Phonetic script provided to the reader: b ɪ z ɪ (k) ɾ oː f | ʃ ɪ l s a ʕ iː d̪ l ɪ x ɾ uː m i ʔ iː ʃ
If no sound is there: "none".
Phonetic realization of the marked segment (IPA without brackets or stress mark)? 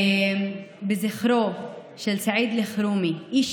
x